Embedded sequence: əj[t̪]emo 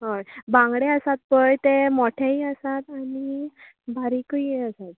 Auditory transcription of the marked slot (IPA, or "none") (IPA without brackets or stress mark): t̪